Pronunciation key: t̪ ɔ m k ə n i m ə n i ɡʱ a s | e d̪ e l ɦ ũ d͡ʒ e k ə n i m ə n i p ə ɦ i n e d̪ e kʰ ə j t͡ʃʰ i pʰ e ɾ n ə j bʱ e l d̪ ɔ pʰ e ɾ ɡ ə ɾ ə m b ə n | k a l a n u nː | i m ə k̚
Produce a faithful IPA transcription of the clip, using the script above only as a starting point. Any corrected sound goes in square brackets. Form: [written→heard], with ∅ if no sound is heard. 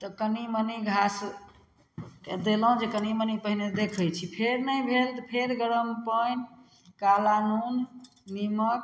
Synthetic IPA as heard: t̪ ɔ [m→∅] k ə n i m ə n i ɡʱ a s | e d̪ e l ɦ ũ d͡ʒ e k ə n i m ə n i p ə ɦ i n e d̪ e kʰ ə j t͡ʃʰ i pʰ e ɾ n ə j bʱ e l [d̪→t̪] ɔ pʰ e ɾ ɡ ə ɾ ə m [b→p] ə n | k a l a n u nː | i m ə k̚